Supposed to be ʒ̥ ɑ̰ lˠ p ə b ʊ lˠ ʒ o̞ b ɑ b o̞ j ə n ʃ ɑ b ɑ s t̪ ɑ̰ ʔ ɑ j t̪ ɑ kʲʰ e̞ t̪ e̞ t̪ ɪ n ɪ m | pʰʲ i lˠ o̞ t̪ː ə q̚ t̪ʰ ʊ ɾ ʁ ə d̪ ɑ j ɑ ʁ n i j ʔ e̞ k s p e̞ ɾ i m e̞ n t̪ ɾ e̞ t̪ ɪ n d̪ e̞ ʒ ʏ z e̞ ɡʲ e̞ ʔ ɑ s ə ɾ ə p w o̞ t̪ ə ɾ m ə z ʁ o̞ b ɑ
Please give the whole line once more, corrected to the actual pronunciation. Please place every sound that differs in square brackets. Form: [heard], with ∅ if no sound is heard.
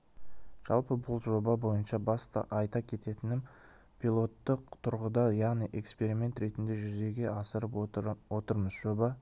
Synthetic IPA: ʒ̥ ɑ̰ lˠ p ə b ʊ lˠ ʒ o̞ b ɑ b o̞ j ə n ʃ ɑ b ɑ s t̪ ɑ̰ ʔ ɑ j t̪ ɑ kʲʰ e̞ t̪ e̞ t̪ ɪ n ɪ m | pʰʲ i lˠ o̞ t̪ː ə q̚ t̪ʰ ʊ ɾ ʁ ə d̪ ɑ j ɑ ʁ n i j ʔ e̞ k s p e̞ ɾ i m e̞ n t̪ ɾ e̞ t̪ ɪ n d̪ e̞ ʒ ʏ z e̞ ɡʲ e̞ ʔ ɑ s ə ɾ ə p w o̞ t̪ ə ɾ m ə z [ʒ] o̞ b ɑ